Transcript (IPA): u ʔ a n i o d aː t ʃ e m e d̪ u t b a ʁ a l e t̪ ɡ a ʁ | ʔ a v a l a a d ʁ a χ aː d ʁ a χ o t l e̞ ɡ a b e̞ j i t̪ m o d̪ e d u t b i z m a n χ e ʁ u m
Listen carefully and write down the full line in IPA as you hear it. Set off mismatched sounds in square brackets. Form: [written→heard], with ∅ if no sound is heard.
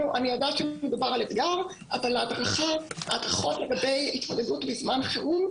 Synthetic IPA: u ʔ a n i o d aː t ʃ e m e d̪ u [t→∅] b a ʁ a l e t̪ ɡ a ʁ | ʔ a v a l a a d ʁ a χ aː d ʁ a χ o t l e̞ ɡ a b e̞ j i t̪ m o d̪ e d u t b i z m a n χ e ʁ u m

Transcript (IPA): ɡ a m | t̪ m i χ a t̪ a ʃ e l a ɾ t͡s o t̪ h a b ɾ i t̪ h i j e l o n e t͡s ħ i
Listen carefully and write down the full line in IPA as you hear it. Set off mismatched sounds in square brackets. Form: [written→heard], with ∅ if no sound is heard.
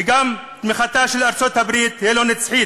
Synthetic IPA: ɡ a m | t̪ m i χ a t̪ a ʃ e l a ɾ t͡s o t̪ h a b ɾ i t̪ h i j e l o n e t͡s ħ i

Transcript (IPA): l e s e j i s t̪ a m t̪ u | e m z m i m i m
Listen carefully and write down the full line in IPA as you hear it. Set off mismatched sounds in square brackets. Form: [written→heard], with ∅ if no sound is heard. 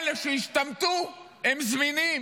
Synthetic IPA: l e [s→ʃ] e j i [s→ʃ] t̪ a m t̪ u | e m z m i [m→n] i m

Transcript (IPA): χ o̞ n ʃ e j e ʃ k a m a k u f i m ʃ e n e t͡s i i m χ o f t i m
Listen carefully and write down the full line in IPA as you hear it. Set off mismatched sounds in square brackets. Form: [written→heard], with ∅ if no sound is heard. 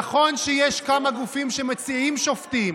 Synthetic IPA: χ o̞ n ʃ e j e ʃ k a m a [k→ɡ] u f i m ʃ e [n→m] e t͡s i i m [χ→ʃ] o f t i m

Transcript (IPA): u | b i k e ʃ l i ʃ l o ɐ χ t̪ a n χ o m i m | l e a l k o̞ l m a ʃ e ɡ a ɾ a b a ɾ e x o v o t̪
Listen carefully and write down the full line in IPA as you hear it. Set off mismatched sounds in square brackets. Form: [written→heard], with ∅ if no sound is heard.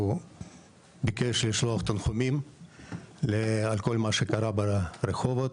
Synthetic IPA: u | b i k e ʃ l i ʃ l o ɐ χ t̪ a n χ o m i m | l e a l k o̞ l m a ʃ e [ɡ→k] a ɾ a b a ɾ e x o v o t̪

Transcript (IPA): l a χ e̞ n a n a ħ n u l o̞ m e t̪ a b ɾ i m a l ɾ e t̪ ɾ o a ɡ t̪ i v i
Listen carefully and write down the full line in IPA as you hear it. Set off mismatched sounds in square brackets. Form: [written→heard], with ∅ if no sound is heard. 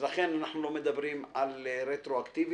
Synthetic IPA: l a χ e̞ n a n a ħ n u l o̞ m e [t̪→d̪] a b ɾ i m a l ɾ e t̪ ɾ o a [ɡ→k] t̪ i v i

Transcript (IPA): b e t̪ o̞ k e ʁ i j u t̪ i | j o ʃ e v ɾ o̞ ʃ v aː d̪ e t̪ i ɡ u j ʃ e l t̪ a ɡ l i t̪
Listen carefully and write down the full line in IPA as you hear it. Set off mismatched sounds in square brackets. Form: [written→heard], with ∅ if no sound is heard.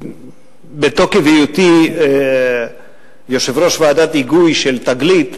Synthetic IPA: b e t̪ o̞ k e [ʁ→v] i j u t̪ i | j o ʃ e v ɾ o̞ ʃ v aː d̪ [e→a] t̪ i ɡ u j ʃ e l t̪ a ɡ l i t̪

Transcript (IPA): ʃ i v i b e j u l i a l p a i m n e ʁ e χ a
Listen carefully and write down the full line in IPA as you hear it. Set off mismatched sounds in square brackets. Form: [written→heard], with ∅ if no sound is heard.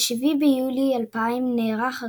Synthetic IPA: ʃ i v i b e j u l i a l p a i m n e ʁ [e→a] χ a

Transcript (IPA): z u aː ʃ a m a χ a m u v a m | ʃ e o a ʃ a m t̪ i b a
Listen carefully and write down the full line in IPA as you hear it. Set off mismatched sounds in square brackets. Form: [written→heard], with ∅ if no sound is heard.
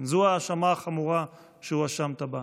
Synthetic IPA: z u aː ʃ a m a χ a m u [v→ʁ] a [m→∅] | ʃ e [o→u] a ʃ a m t̪ [i→a] b a

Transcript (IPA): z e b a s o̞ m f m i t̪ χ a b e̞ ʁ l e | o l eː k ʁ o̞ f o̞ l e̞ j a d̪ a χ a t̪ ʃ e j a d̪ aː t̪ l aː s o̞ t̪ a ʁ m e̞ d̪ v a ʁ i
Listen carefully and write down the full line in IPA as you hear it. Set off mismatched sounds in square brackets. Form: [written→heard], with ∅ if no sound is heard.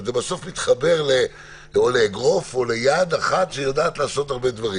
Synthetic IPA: z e b a s o̞ [m→∅] f m i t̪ χ a b e̞ ʁ l e | o l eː [k→ɡ] ʁ o̞ f o̞ l e̞ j a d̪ a χ a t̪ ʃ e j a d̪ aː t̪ l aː s o̞ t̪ a ʁ [m→b] e̞ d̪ v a ʁ i

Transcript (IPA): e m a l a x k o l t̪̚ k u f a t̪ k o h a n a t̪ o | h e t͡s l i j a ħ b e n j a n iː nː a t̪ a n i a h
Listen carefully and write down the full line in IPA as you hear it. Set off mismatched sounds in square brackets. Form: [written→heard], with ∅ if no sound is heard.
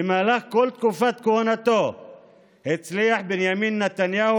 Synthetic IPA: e m a l a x k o l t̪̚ k u f a t̪ k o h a n a t̪ o | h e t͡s l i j a ħ b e n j a [n→m] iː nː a t̪ a n [i→j] a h

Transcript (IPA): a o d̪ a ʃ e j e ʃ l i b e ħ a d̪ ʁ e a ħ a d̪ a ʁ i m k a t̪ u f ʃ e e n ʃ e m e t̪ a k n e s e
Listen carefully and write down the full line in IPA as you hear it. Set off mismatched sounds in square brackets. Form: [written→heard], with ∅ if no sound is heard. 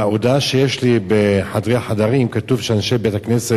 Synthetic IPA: a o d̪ a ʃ e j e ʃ l i b e ħ a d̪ ʁ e a ħ a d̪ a ʁ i m k a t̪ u [f→v] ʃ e [e→a] n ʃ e [m→b] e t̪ a k n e s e

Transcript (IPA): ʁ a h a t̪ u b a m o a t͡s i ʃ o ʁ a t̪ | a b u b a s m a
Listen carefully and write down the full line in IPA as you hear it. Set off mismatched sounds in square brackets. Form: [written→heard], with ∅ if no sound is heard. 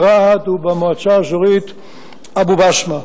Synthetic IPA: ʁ a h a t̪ u b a m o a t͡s [i→a] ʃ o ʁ [a→i] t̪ | a b u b a [s→ʃ] m a

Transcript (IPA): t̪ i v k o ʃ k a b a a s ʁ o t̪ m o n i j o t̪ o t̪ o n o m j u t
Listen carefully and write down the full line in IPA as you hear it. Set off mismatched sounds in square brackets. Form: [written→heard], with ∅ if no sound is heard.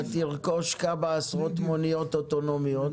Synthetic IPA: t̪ i [v→ʁ] k o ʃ k a b a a s ʁ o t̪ m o n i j o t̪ o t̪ o n o m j [u→o] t

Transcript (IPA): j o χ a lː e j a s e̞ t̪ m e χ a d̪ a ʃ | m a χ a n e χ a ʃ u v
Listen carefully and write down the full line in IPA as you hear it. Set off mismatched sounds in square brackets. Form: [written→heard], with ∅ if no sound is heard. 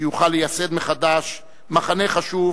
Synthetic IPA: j [o→u] χ a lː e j a s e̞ [t̪→d̪] m e χ a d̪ a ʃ | m a χ a n e χ a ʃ u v

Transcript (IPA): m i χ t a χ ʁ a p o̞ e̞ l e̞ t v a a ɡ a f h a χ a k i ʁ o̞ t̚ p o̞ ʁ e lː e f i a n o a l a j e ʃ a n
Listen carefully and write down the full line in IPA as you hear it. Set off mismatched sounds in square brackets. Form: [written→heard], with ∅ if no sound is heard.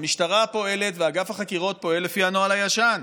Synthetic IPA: m i [χ→ʃ] t a [χ→∅] ʁ a p o̞ e̞ l e̞ t v [a→e] a ɡ a f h a χ a k i ʁ o̞ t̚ p o̞ [ʁ→∅] e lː e f i a n o a l a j [e→a] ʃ a n

